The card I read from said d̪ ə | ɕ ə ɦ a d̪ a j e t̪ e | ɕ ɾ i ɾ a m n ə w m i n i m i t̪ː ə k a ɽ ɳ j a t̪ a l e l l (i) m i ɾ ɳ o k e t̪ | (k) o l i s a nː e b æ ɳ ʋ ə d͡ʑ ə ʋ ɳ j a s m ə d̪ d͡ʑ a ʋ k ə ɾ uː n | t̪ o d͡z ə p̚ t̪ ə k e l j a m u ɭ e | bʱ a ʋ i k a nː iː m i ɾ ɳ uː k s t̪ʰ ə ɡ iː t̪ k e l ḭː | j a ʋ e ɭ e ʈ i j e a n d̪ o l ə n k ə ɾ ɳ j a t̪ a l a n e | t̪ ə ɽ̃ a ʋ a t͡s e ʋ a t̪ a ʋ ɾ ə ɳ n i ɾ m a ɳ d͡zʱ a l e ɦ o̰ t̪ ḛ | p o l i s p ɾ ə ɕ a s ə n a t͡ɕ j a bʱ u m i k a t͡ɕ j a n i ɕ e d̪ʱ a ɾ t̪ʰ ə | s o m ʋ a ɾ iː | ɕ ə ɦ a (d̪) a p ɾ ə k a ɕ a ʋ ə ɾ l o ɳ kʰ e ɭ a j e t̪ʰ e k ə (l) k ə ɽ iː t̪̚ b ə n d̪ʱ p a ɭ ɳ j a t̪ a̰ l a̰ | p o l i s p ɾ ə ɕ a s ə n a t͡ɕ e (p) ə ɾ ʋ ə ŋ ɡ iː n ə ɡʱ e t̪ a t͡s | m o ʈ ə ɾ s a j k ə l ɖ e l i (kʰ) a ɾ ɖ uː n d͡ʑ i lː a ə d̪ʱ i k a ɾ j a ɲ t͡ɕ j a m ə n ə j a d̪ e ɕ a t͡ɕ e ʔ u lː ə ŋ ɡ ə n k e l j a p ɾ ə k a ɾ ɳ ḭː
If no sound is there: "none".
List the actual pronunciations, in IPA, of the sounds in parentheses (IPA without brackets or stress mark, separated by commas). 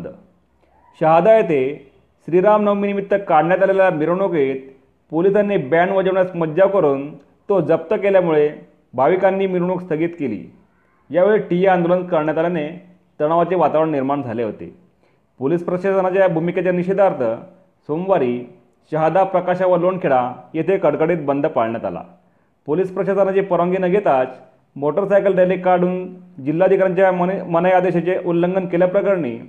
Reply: a, p, d̪, ɽ, p, k